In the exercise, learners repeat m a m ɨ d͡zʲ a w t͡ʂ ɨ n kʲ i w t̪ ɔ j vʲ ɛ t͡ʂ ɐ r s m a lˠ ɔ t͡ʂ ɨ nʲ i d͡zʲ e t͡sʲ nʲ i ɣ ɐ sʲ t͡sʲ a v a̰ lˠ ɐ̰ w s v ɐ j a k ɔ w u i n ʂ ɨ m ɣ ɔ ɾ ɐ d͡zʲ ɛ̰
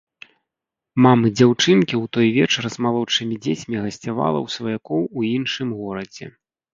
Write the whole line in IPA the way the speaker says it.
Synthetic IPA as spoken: m a m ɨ d͡zʲ a w t͡ʂ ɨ n kʲ i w t̪ ɔ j vʲ ɛ t͡ʂ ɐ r z m a lˠ ɔ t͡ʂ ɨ mʲ i d͡zʲ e t͡sʲ mʲ i ɣ ɐ sʲ t͡sʲ a v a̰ lˠ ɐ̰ w s v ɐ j a k ɔ w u i n ʂ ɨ m ɣ ɔ ɾ ɐ d͡zʲ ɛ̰